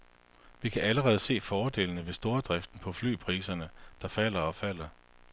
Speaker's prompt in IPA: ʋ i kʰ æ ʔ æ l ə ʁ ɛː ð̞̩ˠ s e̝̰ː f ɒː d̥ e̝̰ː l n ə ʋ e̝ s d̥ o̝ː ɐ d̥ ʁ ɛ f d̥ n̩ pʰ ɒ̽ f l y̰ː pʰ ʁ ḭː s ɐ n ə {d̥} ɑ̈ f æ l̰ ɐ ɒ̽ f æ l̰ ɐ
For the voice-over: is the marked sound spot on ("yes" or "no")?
yes